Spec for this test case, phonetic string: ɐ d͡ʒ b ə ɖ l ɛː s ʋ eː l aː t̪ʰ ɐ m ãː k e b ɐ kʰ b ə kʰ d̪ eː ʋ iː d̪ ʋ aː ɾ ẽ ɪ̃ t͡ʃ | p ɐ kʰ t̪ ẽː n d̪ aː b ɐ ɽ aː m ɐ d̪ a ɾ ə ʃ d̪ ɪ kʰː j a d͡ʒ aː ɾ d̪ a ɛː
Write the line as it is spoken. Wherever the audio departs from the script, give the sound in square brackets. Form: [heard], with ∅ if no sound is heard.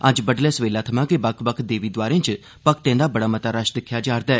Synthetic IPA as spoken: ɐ d͡ʒ b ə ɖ l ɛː s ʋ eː l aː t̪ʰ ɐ m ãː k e b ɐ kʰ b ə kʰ d̪ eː ʋ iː d̪ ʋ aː ɾ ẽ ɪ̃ t͡ʃ | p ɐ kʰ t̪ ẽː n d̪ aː b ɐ ɽ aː m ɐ [t̪] a ɾ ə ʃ d̪ ɪ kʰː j a d͡ʒ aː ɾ d̪ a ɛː